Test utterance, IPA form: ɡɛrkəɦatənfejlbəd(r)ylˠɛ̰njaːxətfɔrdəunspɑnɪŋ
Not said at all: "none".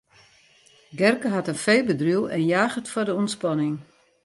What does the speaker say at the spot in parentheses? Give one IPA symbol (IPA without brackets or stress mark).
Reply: r